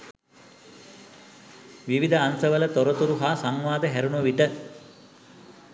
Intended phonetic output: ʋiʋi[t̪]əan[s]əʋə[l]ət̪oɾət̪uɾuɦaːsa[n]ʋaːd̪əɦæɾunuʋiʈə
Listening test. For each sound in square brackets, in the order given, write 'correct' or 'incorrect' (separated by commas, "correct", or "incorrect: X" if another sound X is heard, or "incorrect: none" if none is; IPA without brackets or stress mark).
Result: incorrect: d̪, correct, correct, incorrect: ŋ